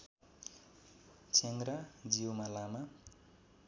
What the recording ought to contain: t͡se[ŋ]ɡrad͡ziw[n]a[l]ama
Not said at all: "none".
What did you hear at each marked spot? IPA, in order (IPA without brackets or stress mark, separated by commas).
ŋ, m, l